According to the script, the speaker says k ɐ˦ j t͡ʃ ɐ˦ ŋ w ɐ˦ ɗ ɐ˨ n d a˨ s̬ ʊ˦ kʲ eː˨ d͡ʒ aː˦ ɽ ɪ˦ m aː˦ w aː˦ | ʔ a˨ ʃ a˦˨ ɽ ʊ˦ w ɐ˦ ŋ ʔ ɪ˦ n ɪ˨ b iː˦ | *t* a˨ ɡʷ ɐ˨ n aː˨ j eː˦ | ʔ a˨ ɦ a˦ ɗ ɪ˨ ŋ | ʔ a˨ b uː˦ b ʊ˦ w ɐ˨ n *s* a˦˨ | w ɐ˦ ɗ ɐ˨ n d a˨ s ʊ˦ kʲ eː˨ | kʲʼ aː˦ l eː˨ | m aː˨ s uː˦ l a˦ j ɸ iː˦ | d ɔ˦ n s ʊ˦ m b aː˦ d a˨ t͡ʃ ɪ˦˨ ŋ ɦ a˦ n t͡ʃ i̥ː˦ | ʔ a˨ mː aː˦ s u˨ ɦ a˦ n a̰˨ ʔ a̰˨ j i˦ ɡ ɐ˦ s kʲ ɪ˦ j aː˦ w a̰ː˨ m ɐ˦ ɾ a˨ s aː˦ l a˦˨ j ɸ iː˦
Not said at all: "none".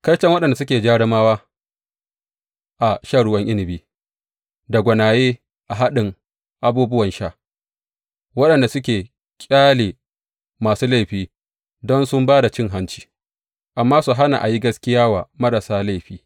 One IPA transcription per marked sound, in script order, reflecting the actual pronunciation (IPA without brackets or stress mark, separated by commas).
d, ʃ